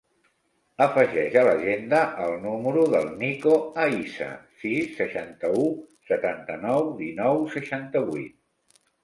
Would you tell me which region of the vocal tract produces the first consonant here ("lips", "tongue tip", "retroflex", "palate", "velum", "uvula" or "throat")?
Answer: lips